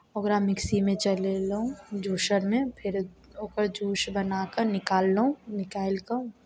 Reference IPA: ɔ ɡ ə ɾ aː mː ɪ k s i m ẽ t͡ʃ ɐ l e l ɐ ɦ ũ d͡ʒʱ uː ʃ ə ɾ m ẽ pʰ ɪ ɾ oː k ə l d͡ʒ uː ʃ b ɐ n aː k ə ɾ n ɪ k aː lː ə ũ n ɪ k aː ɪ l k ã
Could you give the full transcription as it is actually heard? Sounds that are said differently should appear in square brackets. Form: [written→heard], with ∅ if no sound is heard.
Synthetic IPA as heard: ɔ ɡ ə ɾ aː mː ɪ k s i m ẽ t͡ʃ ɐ l e l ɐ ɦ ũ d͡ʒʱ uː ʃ ə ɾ m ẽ pʰ ɪ ɾ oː k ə [l→ɾ] d͡ʒ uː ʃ b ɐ n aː k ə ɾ n ɪ k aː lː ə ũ n ɪ k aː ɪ l k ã